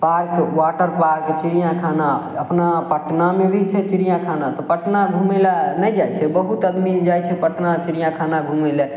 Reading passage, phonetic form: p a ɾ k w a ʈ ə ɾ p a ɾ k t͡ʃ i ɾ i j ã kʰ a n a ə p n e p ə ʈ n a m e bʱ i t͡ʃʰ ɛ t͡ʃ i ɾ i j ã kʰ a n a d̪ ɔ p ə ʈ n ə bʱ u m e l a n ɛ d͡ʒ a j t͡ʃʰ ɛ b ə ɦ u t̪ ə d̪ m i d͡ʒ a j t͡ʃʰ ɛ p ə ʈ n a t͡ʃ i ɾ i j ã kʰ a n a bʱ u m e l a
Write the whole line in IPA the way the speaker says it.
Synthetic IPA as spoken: p a ɾ k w a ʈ ə ɾ p a ɾ k t͡ʃ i ɾ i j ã kʰ a n a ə p n a p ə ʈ n a m e bʱ i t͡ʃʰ ɛ t͡ʃ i ɾ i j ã kʰ a n a t̪ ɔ p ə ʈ n a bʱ u m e l a n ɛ d͡ʒ a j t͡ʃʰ ɛ b ə ɦ u t̪ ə d̪ m i d͡ʒ a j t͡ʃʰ ɛ p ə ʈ n a t͡ʃ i ɾ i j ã kʰ a n a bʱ u m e l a